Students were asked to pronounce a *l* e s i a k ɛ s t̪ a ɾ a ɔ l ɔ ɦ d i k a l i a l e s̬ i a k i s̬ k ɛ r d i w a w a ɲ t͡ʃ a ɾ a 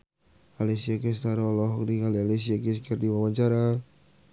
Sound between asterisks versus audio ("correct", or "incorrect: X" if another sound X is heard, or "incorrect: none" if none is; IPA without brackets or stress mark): correct